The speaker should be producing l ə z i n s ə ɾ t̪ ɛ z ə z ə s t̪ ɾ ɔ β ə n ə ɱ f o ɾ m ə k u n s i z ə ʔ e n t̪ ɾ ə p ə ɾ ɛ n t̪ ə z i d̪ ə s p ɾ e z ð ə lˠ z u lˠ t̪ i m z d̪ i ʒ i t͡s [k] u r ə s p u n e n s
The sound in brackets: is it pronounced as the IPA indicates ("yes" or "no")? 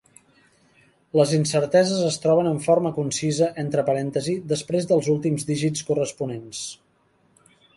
yes